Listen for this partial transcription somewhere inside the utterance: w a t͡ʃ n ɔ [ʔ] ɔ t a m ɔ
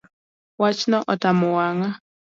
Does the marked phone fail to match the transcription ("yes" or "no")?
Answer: no